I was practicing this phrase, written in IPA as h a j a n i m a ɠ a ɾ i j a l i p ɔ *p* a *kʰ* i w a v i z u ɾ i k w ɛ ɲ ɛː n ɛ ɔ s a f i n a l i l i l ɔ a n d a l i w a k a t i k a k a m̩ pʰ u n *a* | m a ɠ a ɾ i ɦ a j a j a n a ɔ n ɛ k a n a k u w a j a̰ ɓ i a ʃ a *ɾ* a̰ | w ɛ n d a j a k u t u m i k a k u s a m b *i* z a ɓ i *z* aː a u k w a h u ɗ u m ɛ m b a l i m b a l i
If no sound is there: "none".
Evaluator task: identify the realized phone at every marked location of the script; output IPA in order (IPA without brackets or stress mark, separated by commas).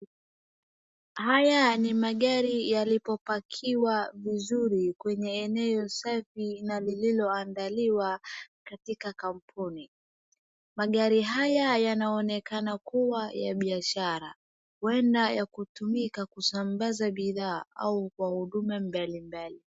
p, kʰ, i, ɾ, a, ð